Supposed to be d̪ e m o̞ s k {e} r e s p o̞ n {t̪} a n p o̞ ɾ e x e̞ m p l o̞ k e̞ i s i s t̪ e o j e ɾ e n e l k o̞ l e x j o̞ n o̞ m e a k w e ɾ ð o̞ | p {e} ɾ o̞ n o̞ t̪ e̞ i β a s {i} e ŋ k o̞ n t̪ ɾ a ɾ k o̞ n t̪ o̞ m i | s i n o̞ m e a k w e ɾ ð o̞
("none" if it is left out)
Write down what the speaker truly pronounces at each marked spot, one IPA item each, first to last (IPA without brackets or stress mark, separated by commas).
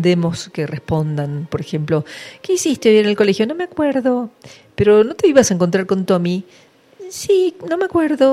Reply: e, d̪, e, a